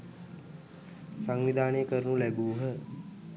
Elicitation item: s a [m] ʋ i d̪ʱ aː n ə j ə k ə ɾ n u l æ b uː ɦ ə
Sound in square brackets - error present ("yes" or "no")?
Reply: yes